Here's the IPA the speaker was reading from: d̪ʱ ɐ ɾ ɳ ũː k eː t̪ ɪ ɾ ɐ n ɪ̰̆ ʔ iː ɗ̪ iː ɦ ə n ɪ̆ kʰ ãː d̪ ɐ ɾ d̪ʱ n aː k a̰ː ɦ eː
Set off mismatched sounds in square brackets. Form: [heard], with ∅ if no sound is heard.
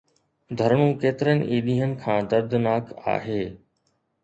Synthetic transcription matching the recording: d̪ʱ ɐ ɾ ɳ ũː k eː t̪ ɪ ɾ [ə] n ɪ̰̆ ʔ iː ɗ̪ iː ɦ ə n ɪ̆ kʰ ãː d̪ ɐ ɾ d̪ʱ n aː k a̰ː ɦ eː

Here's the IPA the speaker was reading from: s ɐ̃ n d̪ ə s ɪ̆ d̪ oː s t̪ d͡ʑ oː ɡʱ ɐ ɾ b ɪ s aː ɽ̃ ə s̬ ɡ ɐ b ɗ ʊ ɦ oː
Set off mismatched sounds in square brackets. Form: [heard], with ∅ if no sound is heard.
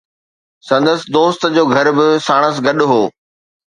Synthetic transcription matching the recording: s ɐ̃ n d̪ ə s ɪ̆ d̪ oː s t̪ d͡ʑ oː ɡʱ ɐ ɾ b ɪ s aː ɽ̃ ə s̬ ɡ ɐ [∅] ɗ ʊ ɦ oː

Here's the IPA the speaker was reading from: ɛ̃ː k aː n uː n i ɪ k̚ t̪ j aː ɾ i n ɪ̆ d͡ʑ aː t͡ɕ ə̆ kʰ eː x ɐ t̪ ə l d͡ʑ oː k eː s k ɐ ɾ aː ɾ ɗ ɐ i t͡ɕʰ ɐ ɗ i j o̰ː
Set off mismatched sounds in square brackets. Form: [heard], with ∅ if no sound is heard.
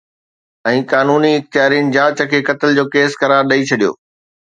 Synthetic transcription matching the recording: ɛ̃ː k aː n uː n i ɪ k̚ t̪ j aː ɾ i n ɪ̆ d͡ʑ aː t͡ɕ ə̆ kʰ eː [k] ɐ t̪ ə l d͡ʑ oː k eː s k ɐ ɾ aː ɾ ɗ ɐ i t͡ɕʰ ɐ ɗ i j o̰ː

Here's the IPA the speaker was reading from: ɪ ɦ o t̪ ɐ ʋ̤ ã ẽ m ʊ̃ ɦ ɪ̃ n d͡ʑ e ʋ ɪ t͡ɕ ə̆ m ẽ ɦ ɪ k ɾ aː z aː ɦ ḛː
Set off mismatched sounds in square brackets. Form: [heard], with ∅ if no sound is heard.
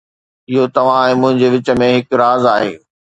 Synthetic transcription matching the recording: ɪ ɦ o t̪ ɐ ʋ̤ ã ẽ m ʊ̃ ɦ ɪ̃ [ɲ] d͡ʑ e ʋ ɪ t͡ɕ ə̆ m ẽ ɦ ɪ k ɾ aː z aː ɦ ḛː

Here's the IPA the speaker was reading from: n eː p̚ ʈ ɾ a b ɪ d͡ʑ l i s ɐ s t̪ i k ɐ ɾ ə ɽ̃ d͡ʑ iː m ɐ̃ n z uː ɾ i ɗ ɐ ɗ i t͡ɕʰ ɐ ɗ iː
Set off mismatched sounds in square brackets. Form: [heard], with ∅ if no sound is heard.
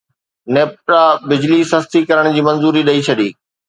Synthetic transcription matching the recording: n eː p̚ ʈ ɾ a b ɪ d͡ʑ l i s ɐ s t̪ i k ɐ ɾ ə ɽ̃ d͡ʑ iː m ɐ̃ n z uː ɾ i ɗ ɐ [∅] i t͡ɕʰ ɐ ɗ iː

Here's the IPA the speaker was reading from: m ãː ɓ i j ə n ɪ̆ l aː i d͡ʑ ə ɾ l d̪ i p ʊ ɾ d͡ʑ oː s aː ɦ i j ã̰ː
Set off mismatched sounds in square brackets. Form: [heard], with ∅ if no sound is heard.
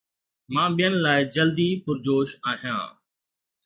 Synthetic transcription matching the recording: m ãː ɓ i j ə n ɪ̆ l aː [ɪ] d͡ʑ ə [∅] l d̪ i p ʊ ɾ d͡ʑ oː [ʃ] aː ɦ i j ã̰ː

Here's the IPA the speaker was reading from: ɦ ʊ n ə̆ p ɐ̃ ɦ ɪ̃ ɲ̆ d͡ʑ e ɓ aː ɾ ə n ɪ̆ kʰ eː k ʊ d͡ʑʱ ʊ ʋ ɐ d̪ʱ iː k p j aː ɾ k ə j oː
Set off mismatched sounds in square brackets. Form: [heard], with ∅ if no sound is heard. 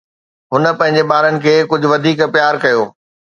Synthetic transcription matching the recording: ɦ ʊ n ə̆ p ɐ̃ ɦ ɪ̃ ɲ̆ d͡ʑ e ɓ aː ɾ ə n ɪ̆ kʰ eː k ʊ d͡ʑʱ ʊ ʋ ɐ d̪ʱ iː k p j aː ɾ k [ɐ] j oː

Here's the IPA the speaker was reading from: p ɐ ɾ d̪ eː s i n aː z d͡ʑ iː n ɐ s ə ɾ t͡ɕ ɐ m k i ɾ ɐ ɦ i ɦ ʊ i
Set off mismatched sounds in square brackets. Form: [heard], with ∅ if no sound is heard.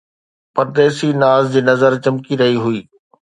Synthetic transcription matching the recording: p ɐ ɾ d̪ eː s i n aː z d͡ʑ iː n ɐ [z] ə ɾ t͡ɕ ɐ m k i ɾ ɐ ɦ i ɦ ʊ [iː]

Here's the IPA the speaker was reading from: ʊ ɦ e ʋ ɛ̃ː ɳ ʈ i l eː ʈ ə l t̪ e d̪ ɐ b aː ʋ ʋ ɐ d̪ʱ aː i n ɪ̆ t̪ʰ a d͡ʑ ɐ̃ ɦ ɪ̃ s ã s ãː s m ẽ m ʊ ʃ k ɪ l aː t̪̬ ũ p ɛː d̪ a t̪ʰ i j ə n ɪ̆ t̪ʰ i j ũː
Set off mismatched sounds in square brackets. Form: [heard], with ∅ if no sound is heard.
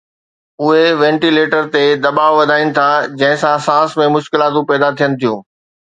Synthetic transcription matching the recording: ʊ ɦ e ʋ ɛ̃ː ɳ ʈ i l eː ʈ ə [ɾ] t̪ e d̪ ɐ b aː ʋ ʋ ɐ d̪ʱ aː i n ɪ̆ t̪ʰ a d͡ʑ ɐ̃ ɦ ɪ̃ s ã s ãː s m ẽ m ʊ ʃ k ɪ l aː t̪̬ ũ p ɛː d̪ a t̪ʰ i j ə n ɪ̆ t̪ʰ i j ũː

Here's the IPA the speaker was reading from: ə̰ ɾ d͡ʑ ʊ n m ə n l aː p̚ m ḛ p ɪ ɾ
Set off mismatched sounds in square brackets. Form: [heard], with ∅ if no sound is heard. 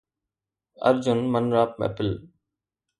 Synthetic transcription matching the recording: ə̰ ɾ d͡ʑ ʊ n m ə n [ɾ] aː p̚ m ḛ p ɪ [l]

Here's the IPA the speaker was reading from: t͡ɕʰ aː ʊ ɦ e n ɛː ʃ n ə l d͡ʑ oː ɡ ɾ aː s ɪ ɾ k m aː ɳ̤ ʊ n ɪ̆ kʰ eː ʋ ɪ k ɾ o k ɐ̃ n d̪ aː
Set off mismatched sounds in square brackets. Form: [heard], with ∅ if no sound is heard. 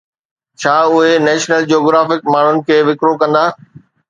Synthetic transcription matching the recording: t͡ɕʰ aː ʊ ɦ e n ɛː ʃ n ə l d͡ʑ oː ɡ ɾ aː [f] ɪ [∅] k m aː ɳ̤ ʊ n ɪ̆ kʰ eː ʋ ɪ k ɾ o k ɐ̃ n d̪ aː

